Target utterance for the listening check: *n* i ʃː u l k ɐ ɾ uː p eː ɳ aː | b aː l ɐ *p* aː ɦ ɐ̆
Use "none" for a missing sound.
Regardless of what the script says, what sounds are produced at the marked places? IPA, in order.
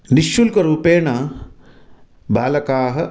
n, k

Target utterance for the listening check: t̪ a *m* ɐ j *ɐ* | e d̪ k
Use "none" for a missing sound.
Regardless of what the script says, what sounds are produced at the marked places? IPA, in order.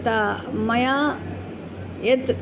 m, a

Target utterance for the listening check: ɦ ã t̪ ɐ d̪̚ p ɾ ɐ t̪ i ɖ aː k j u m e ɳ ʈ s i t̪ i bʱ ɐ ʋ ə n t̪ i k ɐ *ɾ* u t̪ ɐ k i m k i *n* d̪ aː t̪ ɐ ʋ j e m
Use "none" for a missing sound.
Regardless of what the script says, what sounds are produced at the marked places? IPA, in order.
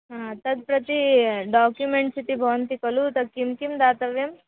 l, m

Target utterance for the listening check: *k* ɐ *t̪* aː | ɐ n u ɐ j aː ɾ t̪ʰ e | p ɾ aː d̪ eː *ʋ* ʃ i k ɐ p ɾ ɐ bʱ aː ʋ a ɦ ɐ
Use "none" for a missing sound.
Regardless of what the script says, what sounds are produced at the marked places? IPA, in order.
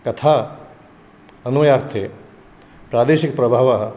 k, t̪ʰ, none

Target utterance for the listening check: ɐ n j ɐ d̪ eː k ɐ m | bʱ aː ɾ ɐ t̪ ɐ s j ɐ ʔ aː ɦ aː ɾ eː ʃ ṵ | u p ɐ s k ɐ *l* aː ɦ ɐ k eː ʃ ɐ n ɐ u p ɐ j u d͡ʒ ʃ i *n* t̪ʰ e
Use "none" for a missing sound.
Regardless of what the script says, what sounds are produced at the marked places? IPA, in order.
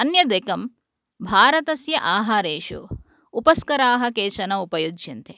ɾ, n

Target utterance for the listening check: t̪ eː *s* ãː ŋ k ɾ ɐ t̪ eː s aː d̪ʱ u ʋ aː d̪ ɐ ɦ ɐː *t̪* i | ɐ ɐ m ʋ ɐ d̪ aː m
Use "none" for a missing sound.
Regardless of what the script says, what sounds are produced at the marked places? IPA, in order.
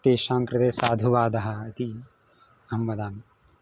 ʃ, t̪

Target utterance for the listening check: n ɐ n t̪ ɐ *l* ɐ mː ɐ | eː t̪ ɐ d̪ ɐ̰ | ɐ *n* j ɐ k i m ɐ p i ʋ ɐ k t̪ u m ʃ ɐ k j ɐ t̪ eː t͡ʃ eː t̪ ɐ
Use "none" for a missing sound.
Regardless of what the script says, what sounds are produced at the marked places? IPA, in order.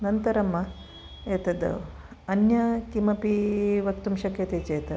ɾ, n

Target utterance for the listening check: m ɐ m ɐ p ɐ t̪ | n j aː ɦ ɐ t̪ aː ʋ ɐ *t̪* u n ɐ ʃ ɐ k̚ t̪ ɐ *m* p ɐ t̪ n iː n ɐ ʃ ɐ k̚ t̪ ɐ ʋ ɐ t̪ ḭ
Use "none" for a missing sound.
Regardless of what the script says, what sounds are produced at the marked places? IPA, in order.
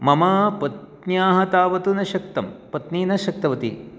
t̪, m

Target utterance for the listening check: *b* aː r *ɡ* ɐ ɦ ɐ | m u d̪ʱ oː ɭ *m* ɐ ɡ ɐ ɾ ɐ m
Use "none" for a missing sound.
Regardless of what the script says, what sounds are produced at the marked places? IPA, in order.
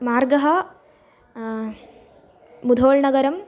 m, ɡ, ɳ

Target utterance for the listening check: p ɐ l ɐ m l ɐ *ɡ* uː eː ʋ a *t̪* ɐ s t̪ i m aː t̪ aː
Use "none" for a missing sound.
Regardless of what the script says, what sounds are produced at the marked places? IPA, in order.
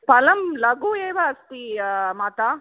ɡ, none

